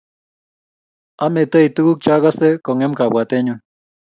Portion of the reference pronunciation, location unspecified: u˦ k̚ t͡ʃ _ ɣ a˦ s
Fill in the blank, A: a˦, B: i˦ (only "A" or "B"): A